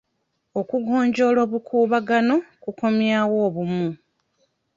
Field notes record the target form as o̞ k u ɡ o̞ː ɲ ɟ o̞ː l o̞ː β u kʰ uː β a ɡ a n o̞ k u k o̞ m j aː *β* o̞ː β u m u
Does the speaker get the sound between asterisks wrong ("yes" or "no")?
yes